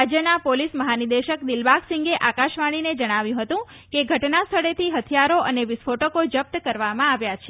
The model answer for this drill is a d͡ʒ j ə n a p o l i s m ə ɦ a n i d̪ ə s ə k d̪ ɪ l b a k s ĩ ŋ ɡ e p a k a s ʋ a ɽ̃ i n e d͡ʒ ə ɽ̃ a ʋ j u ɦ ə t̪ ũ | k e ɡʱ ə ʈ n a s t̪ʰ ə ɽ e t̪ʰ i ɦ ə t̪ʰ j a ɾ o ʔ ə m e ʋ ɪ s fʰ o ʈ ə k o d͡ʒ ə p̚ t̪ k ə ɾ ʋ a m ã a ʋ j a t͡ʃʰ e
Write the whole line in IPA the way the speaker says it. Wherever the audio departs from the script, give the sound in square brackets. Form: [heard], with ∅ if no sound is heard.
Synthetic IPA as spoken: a d͡ʒ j ə n a p o l i s m ə ɦ a n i d̪ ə [ʃ] ə k d̪ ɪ l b a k s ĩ ŋ ɡ e [ʔ] a k a [ʃ] ʋ a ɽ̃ i n e d͡ʒ ə ɽ̃ a ʋ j [ũ] ɦ ə t̪ ũ | k e ɡʱ ə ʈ n a s t̪ʰ ə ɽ e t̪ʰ i ɦ ə t̪ʰ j a ɾ o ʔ ə [n] e ʋ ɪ s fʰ o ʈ ə k o d͡ʒ ə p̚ t̪ k ə ɾ ʋ a m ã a ʋ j a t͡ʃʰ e